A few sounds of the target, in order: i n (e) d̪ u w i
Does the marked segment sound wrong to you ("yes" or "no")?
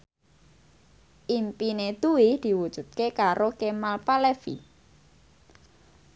no